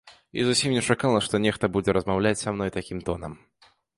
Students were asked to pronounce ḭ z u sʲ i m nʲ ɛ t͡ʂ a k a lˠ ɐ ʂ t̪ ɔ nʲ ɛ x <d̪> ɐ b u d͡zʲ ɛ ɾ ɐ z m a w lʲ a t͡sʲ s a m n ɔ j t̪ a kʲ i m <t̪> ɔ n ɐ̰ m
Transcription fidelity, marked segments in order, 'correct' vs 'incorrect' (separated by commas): incorrect, correct